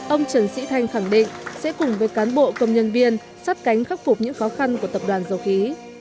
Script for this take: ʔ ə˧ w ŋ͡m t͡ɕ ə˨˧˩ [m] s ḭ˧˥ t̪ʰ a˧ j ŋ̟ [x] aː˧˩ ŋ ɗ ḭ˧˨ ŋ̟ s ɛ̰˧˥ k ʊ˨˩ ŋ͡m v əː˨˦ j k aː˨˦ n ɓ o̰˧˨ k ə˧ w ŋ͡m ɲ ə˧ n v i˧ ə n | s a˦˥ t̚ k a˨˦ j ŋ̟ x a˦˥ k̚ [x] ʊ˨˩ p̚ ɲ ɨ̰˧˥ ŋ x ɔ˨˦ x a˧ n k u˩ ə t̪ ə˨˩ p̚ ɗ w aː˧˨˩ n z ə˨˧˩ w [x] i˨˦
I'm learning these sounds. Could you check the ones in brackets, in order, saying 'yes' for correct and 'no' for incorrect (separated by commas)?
no, yes, no, yes